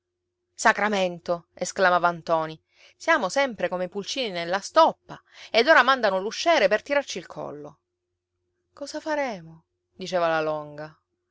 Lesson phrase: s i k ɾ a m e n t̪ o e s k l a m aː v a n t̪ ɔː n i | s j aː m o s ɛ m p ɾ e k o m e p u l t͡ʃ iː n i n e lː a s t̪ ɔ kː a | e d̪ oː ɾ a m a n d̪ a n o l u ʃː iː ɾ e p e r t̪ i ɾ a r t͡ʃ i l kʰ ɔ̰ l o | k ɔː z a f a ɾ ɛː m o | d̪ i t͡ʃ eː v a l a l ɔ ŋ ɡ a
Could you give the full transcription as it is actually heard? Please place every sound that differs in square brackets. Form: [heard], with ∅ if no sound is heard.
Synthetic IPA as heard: s [a] k ɾ a m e n t̪ o e s k l a m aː v a n t̪ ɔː n i | s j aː m o s ɛ m p ɾ e k o m e p u l t͡ʃ iː n i n e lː a s t̪ ɔ [pː] a | e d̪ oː ɾ a m a n d̪ a n o l u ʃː [ɛː] ɾ e p e r t̪ i ɾ a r t͡ʃ i l kʰ ɔ̰ [lː] o | k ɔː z a f a ɾ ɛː m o | d̪ i t͡ʃ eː v a l a l ɔ ŋ ɡ a